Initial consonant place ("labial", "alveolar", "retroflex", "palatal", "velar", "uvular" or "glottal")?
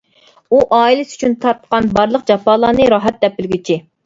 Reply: glottal